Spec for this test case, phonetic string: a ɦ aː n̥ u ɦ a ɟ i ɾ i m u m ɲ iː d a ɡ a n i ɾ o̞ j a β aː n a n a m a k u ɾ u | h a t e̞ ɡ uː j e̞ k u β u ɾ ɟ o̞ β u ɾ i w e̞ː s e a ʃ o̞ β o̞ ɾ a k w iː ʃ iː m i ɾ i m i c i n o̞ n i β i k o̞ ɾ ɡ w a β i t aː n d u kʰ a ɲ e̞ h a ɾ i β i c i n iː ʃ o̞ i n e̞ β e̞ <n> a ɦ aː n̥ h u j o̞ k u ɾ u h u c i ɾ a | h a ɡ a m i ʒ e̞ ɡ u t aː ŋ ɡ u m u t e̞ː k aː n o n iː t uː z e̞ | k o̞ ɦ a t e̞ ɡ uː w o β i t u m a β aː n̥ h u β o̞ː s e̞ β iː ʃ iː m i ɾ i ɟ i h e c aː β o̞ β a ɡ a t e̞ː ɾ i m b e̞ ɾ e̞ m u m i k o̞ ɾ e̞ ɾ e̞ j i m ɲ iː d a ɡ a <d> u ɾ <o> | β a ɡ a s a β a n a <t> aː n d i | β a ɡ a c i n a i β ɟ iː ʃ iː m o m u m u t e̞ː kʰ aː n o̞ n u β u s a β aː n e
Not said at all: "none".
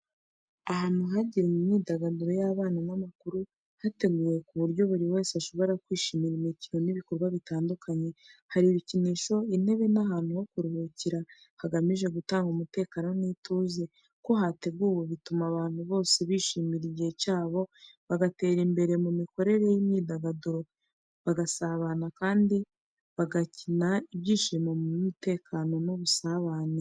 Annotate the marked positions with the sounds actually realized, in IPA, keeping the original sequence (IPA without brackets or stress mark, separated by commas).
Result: n, d, o, k